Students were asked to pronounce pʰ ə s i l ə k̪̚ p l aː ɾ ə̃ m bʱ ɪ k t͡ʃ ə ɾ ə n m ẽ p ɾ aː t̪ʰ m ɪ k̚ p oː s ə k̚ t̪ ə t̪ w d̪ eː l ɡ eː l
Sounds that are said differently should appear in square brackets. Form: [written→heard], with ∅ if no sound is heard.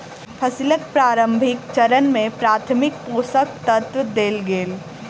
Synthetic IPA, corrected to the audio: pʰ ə s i l ə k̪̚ p [l→ɾ] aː ɾ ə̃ m bʱ ɪ k t͡ʃ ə ɾ ə n m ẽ p ɾ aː t̪ʰ m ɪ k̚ p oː s ə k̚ t̪ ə t̪ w d̪ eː l ɡ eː l

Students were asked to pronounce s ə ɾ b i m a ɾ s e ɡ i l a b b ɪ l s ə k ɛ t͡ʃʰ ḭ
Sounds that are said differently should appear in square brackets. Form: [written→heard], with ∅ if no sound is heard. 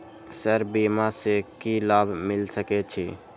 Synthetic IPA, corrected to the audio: s ə ɾ b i m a [ɾ→∅] s e [ɡ→k] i l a b [b→m] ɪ l s ə k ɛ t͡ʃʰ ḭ

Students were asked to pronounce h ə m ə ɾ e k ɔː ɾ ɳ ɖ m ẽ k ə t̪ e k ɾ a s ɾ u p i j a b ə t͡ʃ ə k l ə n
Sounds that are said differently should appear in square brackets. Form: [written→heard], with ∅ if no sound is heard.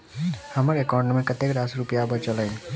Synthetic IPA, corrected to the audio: h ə m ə ɾ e k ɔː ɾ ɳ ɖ m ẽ k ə t̪ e k ɾ a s ɾ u p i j a b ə t͡ʃ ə [k→∅] l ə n

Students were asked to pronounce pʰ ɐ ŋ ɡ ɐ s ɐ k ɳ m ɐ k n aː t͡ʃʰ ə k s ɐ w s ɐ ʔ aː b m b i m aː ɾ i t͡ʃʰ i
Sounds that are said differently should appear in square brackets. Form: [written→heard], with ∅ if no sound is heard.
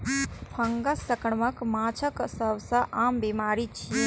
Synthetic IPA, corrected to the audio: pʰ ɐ ŋ ɡ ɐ s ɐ k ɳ m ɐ k [n→m] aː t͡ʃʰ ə k s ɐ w s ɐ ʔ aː [b→∅] m b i m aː ɾ i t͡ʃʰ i

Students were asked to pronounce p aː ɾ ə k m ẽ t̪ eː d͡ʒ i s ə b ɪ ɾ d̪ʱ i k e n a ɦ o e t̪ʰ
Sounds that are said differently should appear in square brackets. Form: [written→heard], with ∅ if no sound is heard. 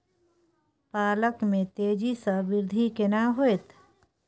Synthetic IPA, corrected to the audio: p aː [ɾ→l] ə k m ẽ t̪ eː d͡ʒ i s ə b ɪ ɾ d̪ʱ i k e n a ɦ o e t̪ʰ

